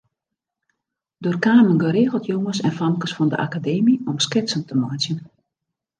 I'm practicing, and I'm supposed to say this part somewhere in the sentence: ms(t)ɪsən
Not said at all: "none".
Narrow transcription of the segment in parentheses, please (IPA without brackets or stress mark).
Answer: k